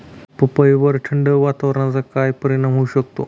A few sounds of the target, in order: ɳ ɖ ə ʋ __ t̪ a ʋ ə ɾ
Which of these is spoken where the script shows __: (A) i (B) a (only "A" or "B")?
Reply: B